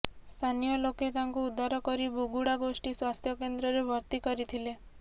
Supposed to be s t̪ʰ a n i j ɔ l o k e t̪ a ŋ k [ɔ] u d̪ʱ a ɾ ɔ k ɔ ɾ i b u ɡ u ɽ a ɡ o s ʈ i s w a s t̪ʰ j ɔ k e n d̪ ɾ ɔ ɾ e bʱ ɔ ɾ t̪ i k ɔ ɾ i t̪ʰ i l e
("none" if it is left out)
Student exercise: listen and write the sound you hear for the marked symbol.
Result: u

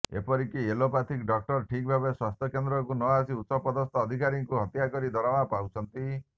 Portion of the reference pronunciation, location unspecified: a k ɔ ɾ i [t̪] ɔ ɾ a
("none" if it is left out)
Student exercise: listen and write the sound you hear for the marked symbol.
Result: d̪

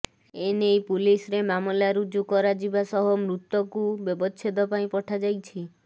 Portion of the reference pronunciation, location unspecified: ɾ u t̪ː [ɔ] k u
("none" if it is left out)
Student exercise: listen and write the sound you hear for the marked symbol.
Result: ɔ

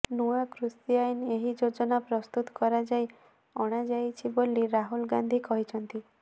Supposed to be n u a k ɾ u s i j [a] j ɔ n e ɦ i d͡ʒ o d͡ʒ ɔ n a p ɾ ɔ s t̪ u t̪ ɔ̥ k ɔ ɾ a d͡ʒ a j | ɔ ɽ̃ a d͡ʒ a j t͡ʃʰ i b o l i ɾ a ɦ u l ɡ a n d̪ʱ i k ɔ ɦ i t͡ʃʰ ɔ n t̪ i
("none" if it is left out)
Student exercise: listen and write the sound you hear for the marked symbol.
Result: a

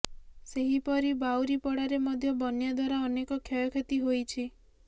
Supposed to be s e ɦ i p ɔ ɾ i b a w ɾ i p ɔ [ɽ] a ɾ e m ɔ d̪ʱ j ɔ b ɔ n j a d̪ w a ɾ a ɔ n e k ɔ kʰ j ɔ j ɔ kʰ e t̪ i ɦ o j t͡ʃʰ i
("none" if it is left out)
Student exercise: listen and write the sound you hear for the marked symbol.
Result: ɽ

